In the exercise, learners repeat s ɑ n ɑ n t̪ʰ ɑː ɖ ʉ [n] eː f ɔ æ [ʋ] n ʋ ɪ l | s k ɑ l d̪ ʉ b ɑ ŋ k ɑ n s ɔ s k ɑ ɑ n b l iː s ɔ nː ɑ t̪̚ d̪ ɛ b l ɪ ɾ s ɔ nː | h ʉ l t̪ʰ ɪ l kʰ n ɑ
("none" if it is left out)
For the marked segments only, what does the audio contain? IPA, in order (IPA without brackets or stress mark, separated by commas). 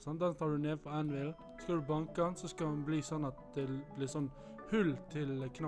n, none